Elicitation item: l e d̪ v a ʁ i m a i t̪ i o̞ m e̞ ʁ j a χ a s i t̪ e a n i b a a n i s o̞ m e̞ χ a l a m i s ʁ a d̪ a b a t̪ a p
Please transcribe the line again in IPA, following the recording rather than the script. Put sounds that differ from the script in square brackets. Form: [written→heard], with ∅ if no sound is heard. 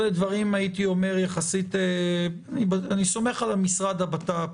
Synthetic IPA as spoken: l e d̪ v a ʁ i m a i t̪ i o̞ m e̞ ʁ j a χ a s i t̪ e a n i b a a n i s o̞ m e̞ χ a l a m i s ʁ a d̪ a b a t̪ a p